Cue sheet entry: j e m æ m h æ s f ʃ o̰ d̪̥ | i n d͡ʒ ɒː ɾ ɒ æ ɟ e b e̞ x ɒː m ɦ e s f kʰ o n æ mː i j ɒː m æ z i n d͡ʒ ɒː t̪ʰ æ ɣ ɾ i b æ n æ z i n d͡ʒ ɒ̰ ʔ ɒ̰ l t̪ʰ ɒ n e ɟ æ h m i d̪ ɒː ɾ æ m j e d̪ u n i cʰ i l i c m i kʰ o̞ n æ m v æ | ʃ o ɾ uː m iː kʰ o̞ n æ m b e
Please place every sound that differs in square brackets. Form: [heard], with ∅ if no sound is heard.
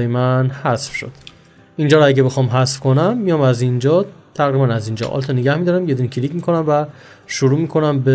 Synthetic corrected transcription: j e m æ [n] h æ s f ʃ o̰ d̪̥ | i n d͡ʒ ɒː ɾ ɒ æ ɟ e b e̞ x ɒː m ɦ [æ] s f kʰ o n æ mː i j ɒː m æ z i n d͡ʒ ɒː t̪ʰ æ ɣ ɾ i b æ n æ z i n d͡ʒ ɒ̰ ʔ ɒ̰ l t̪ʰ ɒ n e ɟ æ h m i d̪ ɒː ɾ æ m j e d̪ u n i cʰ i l i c m i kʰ o̞ n æ m v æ | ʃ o ɾ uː m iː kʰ o̞ n æ m b e